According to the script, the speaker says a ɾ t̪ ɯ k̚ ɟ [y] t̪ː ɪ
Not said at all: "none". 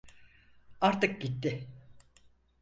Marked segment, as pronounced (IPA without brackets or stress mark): i